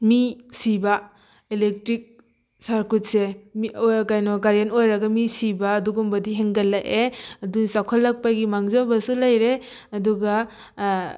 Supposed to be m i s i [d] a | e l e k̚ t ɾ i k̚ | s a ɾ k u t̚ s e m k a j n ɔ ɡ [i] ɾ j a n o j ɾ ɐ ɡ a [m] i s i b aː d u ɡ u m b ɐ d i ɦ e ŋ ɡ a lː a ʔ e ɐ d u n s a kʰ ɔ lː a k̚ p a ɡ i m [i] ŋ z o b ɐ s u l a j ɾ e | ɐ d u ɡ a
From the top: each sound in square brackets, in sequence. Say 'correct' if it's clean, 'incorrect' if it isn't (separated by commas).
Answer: incorrect, incorrect, correct, incorrect